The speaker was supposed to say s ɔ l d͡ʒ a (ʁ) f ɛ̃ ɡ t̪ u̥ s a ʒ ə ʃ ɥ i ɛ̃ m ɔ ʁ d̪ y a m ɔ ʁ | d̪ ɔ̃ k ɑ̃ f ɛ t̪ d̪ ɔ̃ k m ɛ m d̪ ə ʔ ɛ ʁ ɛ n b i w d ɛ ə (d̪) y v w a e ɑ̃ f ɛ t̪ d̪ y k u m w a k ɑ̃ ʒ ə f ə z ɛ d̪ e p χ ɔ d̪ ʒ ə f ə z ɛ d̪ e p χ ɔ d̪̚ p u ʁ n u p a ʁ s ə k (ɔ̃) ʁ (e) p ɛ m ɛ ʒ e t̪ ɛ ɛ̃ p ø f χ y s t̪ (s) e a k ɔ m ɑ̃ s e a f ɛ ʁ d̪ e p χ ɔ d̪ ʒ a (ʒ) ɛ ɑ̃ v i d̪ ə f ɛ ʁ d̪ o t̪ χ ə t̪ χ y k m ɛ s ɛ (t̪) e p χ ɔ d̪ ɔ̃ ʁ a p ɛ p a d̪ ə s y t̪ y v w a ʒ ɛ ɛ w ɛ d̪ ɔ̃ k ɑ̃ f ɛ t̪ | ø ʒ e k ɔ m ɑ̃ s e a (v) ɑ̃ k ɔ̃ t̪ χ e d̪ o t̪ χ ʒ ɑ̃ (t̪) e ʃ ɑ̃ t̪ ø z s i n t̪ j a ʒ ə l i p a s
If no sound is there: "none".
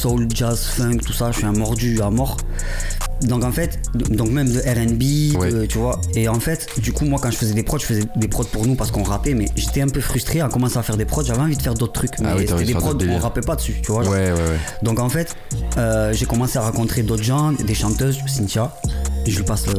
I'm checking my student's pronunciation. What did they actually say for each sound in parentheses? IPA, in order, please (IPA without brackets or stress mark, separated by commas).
z, t̪, ɔ̃, a, χ, v, d̪, ʁ, d̪